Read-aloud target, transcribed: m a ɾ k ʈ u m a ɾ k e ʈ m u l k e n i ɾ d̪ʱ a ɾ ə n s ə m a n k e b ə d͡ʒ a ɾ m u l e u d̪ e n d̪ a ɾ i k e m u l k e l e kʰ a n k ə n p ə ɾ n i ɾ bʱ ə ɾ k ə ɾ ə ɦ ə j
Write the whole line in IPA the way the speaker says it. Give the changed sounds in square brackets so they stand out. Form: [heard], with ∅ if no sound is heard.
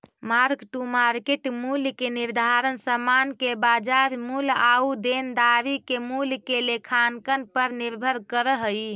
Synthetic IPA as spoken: m a ɾ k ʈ u m a ɾ k e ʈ m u l k e n i ɾ d̪ʱ a ɾ ə n s ə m a n k e b [a] d͡ʒ a ɾ m u l [a] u d̪ e n d̪ a ɾ i k e m u l k e l e kʰ a n k ə n p ə ɾ n i ɾ bʱ ə ɾ k ə ɾ ə ɦ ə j